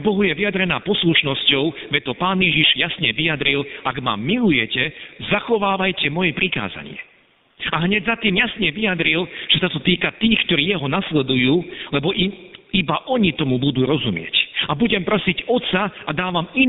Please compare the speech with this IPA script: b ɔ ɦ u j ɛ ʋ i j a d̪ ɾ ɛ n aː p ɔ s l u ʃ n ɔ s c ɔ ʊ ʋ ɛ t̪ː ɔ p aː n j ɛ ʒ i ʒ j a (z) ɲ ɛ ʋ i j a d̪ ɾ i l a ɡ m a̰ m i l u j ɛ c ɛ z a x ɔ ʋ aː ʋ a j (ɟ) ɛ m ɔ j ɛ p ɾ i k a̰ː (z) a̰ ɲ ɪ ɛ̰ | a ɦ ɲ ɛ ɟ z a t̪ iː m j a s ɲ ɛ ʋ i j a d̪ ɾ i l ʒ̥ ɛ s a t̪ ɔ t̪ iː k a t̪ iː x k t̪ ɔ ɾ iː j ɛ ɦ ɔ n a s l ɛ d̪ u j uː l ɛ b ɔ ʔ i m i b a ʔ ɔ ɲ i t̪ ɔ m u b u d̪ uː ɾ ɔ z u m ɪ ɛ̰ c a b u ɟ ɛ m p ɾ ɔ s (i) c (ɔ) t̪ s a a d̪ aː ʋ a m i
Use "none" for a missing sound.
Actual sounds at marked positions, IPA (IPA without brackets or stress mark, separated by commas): s, c, z, i, ɔ